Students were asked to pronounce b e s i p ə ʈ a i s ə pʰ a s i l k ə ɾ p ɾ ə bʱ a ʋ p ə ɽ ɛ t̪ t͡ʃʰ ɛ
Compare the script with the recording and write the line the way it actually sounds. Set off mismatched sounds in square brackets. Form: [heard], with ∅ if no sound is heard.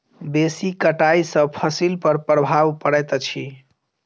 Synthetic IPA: b e s i [k] ə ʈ a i s ə pʰ [ə] s i l [p] ə ɾ p ɾ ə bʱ a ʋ p ə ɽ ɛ t̪ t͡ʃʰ [i]